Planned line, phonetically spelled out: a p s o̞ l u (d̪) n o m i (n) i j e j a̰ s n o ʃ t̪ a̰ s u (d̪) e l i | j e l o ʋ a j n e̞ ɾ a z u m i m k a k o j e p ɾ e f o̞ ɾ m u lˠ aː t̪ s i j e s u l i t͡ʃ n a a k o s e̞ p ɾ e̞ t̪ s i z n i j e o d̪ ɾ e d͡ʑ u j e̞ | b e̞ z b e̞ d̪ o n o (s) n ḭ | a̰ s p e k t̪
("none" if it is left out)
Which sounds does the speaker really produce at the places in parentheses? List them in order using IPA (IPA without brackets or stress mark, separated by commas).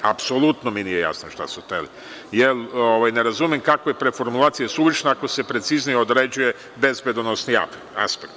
t̪, n, t̪, s